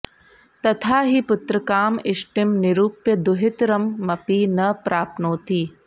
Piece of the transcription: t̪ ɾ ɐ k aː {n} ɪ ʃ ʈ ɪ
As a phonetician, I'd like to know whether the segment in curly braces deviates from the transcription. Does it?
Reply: yes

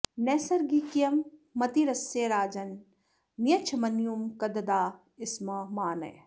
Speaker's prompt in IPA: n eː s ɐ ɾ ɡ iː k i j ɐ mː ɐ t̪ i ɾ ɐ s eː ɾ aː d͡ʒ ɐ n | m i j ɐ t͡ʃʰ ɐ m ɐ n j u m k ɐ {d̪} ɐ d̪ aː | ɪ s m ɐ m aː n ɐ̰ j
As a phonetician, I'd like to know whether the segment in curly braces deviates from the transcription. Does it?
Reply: no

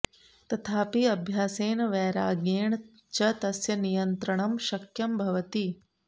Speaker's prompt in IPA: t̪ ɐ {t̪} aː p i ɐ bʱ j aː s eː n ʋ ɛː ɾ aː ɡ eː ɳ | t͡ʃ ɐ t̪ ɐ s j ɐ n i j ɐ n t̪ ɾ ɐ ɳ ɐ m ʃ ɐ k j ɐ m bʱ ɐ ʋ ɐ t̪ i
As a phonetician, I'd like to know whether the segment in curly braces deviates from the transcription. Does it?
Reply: yes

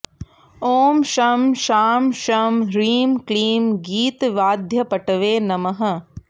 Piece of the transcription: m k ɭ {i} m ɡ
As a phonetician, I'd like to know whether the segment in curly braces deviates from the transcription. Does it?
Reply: yes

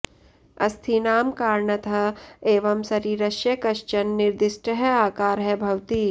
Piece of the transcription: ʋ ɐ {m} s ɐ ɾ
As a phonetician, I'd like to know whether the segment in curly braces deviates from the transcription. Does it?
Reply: no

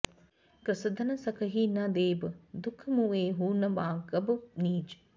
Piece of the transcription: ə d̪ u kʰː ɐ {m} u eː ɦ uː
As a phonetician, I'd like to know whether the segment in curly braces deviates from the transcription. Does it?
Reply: no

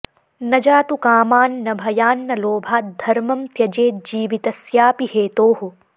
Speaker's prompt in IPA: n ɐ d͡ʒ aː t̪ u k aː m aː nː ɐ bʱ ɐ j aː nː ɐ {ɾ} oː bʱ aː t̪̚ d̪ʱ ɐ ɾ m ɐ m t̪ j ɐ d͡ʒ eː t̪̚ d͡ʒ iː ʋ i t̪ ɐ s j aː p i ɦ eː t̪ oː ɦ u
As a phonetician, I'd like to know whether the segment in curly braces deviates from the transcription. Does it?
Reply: yes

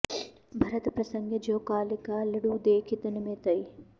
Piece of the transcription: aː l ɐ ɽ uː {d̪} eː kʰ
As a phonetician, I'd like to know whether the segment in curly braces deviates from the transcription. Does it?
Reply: no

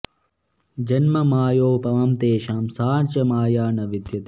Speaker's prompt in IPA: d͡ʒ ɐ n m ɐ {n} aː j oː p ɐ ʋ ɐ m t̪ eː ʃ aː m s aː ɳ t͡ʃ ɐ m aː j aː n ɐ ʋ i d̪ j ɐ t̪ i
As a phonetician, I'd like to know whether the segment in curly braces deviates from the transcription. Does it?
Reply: yes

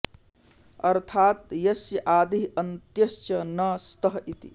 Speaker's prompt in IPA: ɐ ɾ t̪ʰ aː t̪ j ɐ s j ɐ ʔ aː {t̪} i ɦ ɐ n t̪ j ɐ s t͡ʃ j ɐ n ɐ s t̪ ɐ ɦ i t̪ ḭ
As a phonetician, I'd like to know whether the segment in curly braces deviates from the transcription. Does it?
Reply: yes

